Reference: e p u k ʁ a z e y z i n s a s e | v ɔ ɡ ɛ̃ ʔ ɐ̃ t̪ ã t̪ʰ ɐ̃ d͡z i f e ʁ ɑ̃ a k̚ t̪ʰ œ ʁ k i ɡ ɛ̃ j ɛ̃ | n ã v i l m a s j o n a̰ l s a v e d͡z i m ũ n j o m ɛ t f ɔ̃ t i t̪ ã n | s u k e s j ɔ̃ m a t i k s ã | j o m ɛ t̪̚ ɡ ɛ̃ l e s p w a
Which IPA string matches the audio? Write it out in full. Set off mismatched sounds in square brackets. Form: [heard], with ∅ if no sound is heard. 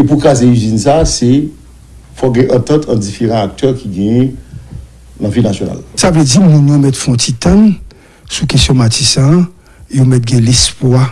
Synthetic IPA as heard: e p u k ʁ a z e y z i n s a s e | [f] ɔ ɡ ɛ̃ ʔ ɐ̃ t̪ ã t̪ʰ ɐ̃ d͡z i f e ʁ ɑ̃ a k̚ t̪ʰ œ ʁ k i ɡ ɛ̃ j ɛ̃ | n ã v i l [n] a s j o n a̰ l s a v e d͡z i m ũ n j o m ɛ t f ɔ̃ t i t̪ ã n | s u k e s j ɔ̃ m a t i [∅] s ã | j o m ɛ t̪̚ ɡ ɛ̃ l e s p w a